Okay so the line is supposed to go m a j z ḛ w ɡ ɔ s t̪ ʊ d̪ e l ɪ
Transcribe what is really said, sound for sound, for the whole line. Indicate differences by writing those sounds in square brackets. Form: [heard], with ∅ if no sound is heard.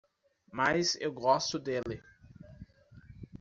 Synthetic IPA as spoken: m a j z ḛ w ɡ ɔ s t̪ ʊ d̪ e l ɪ

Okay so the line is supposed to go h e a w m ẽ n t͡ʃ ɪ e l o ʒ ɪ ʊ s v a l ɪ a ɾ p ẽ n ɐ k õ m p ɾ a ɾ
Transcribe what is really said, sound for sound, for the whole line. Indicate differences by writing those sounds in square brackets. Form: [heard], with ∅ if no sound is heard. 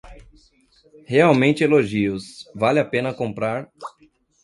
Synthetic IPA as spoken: h e a w m ẽ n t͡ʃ ɪ e l o ʒ [i] ʊ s v a l ɪ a [∅] p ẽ n ɐ k õ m p ɾ a ɾ

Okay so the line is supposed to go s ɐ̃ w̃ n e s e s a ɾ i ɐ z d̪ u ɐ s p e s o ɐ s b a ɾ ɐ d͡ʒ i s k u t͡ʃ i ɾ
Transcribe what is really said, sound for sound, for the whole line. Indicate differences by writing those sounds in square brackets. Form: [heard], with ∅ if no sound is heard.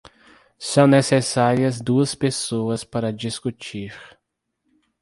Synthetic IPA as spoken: s ɐ̃ w̃ n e s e s a ɾ i ɐ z d̪ u ɐ s p e s o ɐ s [p] a ɾ ɐ d͡ʒ i s k u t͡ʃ i ɾ

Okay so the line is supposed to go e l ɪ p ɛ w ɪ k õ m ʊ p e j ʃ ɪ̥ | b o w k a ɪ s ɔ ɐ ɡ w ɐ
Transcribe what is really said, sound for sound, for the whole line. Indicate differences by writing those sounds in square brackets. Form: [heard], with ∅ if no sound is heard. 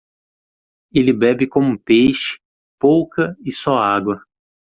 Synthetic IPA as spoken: e l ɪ [b] ɛ [b] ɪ k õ m ʊ p e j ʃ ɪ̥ | [p] o w k [ɐ] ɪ s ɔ [a] ɡ w ɐ

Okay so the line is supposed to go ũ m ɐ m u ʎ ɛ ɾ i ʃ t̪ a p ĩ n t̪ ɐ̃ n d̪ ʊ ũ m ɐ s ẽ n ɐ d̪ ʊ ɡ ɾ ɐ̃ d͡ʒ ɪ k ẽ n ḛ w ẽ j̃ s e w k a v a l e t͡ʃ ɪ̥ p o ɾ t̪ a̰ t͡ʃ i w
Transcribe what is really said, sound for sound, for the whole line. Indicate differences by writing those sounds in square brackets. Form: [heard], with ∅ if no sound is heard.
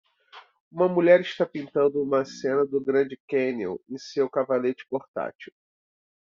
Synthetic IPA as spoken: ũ m ɐ m u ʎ ɛ ɾ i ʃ t̪ a p ĩ n t̪ ɐ̃ n d̪ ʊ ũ m ɐ s ẽ n ɐ d̪ ʊ ɡ ɾ ɐ̃ d͡ʒ ɪ k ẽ n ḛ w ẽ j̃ s e w k a v a l e t͡ʃ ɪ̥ p o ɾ t̪ a̰ t͡ʃ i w

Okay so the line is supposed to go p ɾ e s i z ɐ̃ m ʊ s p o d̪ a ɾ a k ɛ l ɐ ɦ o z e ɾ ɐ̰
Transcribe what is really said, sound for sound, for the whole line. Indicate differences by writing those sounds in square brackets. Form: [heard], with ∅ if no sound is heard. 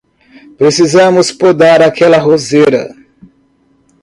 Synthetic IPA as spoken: p ɾ e s i z ɐ̃ m ʊ s p o d̪ a ɾ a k ɛ l ɐ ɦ o z e ɾ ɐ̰

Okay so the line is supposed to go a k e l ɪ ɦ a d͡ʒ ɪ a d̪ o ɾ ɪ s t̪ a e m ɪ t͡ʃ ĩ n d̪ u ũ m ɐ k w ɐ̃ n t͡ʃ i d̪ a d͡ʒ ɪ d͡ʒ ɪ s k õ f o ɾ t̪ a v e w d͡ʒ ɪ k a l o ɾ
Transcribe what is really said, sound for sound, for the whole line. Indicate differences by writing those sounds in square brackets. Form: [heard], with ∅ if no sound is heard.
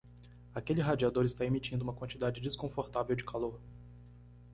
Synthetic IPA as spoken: a k e l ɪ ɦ a d͡ʒ [i] a d̪ o ɾ ɪ s t̪ a e m [i] t͡ʃ ĩ n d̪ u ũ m ɐ k w ɐ̃ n t͡ʃ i d̪ a d͡ʒ ɪ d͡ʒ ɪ s k õ f o ɾ t̪ a v e w d͡ʒ ɪ k a l o ɾ

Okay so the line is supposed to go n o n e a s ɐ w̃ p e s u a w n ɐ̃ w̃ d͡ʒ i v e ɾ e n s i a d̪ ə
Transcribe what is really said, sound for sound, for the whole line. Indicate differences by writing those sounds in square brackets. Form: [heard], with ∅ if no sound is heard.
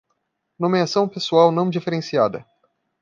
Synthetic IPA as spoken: n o [m] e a s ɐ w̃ p e s u a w n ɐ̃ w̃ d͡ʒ i [f] e ɾ e n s i a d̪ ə

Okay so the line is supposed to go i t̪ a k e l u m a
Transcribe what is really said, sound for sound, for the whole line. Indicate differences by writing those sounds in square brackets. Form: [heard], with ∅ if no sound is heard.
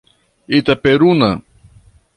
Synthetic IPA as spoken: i t̪ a [p] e [ɾ] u [n] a

